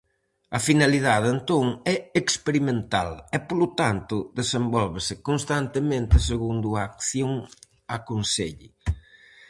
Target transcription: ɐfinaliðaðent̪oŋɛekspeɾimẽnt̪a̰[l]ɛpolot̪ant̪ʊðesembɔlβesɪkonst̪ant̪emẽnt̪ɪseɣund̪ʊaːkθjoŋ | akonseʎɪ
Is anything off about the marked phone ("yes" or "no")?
no